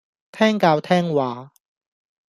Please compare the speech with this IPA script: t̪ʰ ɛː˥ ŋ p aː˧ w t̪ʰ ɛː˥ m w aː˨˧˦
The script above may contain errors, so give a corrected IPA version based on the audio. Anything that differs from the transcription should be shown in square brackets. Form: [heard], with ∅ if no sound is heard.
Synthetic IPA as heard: t̪ʰ ɛː˥ ŋ [k] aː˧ w t̪ʰ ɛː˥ [ŋ] w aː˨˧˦